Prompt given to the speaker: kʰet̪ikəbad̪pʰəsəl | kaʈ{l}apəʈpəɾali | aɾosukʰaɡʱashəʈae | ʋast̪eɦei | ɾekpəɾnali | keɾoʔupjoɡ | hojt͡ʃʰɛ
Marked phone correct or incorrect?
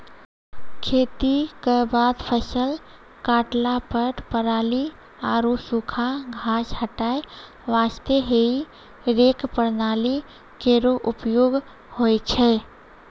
correct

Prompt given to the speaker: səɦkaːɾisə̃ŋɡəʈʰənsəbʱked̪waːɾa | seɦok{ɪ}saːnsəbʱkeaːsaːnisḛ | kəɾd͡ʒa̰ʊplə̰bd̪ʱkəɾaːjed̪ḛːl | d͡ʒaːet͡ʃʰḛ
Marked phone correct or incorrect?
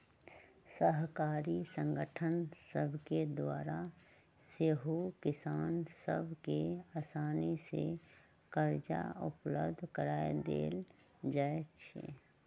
correct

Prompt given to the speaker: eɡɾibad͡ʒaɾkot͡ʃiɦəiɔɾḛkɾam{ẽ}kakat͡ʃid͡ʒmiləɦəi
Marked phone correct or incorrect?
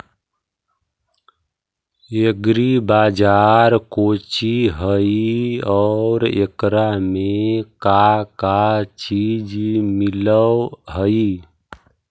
incorrect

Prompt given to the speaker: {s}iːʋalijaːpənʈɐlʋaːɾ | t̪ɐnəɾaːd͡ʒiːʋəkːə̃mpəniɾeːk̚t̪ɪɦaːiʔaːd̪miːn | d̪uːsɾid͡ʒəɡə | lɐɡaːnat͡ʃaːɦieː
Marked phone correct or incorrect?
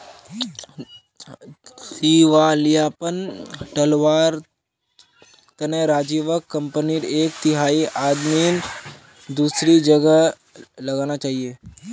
correct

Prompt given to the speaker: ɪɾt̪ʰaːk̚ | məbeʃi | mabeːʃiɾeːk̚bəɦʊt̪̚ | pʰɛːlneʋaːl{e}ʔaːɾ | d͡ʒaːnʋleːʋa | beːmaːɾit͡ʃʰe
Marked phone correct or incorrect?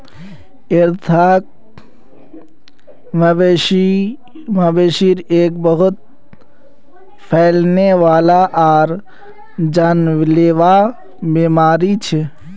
incorrect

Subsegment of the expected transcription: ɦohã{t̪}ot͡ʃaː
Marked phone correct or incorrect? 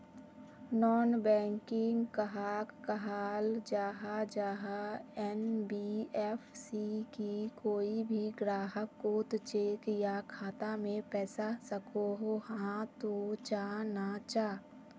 correct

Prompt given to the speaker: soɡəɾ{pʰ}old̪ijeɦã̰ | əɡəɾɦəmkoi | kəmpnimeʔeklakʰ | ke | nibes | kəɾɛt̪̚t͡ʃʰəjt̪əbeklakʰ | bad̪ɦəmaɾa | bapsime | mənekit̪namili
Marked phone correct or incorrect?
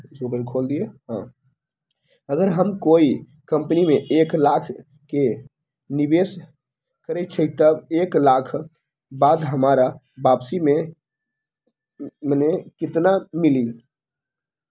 incorrect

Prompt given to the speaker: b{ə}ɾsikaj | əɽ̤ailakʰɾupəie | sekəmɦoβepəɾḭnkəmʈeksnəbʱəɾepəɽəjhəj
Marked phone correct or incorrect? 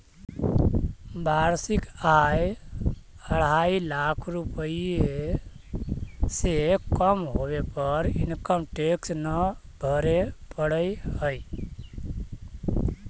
incorrect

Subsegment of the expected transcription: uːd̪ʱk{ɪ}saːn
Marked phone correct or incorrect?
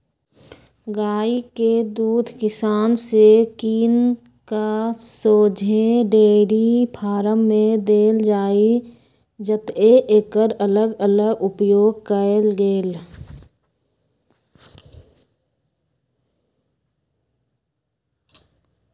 correct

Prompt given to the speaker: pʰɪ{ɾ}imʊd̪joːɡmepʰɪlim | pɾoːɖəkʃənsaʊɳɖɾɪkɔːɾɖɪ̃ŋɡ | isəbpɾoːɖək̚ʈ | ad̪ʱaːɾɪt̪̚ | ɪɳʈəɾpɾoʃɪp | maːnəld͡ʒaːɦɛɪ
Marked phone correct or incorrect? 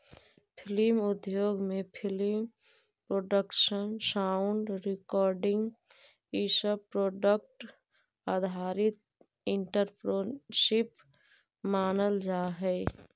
incorrect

